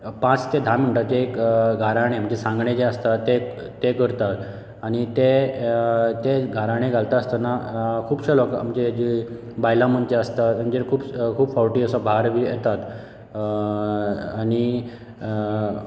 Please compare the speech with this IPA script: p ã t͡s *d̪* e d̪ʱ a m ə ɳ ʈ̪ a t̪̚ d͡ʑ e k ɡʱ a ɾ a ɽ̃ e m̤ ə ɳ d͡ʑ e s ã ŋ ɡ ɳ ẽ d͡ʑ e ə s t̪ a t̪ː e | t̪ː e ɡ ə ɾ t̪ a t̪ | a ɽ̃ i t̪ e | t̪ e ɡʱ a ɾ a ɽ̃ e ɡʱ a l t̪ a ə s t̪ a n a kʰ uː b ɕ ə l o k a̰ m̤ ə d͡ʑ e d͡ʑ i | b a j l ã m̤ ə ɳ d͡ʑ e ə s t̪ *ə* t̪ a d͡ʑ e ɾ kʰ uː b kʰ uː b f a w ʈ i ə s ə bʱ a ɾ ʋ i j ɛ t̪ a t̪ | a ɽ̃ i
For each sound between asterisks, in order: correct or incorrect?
incorrect: t̪, incorrect: a

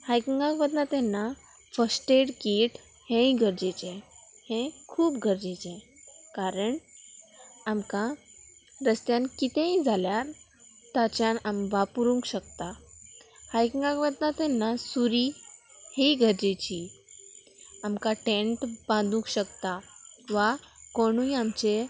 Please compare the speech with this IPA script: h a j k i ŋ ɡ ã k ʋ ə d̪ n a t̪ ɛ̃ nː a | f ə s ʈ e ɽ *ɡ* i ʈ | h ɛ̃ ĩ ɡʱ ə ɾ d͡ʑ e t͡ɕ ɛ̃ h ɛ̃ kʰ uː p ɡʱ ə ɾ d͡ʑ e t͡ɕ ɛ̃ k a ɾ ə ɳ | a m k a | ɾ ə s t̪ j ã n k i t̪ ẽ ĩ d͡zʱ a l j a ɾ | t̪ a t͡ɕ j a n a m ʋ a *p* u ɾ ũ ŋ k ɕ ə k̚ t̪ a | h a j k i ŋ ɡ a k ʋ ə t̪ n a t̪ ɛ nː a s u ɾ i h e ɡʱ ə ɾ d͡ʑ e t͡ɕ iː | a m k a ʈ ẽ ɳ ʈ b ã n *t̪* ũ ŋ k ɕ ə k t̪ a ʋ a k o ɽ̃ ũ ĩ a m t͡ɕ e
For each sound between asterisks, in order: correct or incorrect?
incorrect: k, correct, incorrect: d̪

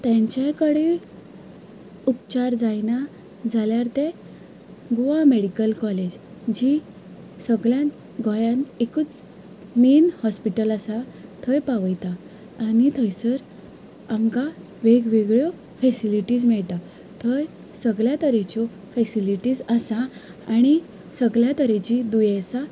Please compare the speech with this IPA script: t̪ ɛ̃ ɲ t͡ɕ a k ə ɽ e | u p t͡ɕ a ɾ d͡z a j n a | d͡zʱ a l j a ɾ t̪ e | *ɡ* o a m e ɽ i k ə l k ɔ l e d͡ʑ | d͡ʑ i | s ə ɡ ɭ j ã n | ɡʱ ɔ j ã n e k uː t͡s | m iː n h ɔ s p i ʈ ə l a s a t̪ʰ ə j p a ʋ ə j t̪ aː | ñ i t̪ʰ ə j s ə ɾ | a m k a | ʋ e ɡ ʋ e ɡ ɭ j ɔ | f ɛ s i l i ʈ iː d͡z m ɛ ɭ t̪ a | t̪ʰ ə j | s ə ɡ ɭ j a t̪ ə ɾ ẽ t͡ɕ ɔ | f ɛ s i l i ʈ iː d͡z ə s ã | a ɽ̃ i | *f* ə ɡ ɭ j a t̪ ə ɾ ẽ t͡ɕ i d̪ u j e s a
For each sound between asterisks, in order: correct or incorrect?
correct, incorrect: s

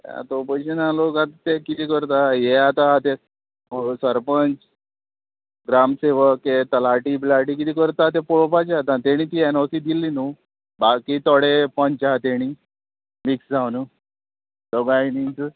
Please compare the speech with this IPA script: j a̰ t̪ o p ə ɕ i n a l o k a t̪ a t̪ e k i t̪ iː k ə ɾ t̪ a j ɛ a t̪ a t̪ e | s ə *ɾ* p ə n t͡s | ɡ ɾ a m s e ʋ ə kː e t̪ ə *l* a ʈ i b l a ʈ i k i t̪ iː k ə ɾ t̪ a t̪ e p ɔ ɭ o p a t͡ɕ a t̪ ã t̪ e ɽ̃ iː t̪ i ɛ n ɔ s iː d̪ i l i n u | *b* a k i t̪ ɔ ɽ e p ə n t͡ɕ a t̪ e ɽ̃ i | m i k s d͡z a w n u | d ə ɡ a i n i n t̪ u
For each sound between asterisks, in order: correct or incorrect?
correct, correct, correct

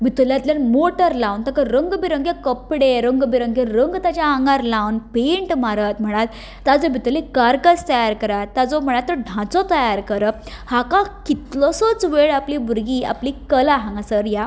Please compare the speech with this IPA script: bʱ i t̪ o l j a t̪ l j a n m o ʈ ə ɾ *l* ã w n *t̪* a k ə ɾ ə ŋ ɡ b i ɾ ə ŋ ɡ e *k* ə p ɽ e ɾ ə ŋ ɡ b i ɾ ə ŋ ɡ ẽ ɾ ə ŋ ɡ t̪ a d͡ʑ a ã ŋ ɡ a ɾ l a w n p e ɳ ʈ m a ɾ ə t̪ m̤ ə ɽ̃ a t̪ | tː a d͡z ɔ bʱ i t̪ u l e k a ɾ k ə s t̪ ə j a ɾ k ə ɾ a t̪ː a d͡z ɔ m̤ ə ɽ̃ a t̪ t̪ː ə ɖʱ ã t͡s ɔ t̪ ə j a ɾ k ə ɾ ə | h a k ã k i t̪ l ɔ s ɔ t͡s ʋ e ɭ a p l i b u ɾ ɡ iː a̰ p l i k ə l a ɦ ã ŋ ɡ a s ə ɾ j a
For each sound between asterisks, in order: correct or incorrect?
correct, correct, correct

